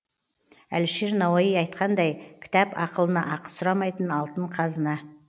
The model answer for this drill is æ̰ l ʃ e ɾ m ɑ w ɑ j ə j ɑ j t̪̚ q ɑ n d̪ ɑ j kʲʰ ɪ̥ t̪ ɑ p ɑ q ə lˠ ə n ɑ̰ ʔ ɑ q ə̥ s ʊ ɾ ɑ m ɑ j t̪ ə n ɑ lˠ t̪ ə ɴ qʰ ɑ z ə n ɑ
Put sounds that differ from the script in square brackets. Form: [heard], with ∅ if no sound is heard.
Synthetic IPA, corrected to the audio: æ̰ l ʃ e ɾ [n] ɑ w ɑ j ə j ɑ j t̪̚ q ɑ n d̪ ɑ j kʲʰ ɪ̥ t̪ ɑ p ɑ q ə lˠ ə n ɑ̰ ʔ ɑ q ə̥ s ʊ ɾ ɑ m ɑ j t̪ ə n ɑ lˠ t̪ ə ɴ qʰ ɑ z ə n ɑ